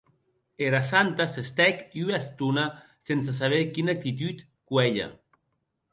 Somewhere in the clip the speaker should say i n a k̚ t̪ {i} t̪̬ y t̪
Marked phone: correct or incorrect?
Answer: correct